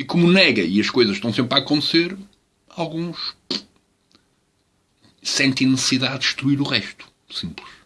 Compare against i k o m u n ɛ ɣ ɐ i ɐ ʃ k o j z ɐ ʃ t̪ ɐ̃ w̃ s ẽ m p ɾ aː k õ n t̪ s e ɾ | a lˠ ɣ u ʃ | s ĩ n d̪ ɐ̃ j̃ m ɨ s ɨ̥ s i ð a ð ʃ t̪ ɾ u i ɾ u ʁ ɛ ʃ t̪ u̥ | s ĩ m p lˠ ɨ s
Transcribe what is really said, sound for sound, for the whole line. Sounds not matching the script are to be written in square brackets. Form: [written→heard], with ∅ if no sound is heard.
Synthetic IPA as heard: i k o m u n ɛ ɣ ɐ i ɐ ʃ k o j z ɐ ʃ t̪ ɐ̃ w̃ s ẽ m p ɾ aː k õ n t̪ s e ɾ | a lˠ ɣ [u→ũ] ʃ | s [ĩ→ẽ] n [d̪→t̪] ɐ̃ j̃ [m→n] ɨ s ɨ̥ s i ð a ð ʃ t̪ ɾ u i ɾ u ʁ ɛ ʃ t̪ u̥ | s ĩ m p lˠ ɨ [s→ʃ]